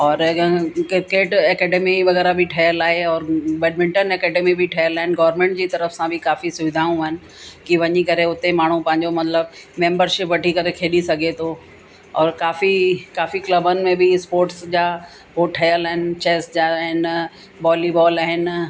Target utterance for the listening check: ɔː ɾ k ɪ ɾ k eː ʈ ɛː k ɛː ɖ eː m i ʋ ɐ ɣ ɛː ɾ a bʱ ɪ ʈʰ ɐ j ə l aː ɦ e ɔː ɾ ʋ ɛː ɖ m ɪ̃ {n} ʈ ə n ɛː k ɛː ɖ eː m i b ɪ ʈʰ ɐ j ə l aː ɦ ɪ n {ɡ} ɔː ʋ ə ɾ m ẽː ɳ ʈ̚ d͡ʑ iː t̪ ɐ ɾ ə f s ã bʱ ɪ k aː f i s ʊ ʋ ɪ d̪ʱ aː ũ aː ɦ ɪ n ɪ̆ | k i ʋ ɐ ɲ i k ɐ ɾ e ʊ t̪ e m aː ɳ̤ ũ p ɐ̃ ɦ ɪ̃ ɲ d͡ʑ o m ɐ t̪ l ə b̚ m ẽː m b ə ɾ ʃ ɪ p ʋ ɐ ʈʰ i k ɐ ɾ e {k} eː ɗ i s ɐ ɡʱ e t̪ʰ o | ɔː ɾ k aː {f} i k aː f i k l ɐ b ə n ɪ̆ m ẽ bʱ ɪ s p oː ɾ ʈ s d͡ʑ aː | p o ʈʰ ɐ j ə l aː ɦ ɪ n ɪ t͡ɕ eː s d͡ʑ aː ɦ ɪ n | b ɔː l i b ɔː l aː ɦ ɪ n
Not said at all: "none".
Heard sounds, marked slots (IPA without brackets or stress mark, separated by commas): ɳ, ɡ, kʰ, f